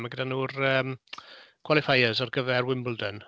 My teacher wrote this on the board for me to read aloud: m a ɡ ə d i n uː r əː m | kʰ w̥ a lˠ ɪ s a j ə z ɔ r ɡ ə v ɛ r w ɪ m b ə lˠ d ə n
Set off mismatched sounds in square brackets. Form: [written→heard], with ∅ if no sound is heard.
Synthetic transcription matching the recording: m a ɡ ə d [i→a] n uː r əː m | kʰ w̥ a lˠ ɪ [s→f] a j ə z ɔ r ɡ ə v ɛ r w ɪ m b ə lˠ d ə n